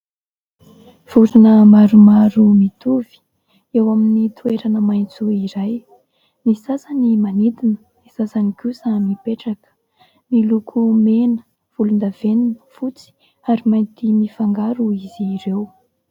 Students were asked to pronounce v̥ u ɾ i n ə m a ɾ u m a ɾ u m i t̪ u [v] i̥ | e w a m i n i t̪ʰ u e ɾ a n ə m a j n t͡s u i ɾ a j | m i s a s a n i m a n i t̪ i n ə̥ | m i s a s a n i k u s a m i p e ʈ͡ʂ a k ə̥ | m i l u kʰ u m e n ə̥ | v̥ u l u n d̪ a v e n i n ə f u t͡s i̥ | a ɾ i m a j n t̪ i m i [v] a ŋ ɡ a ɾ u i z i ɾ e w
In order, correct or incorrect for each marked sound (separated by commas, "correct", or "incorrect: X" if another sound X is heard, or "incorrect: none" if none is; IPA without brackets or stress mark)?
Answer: correct, incorrect: f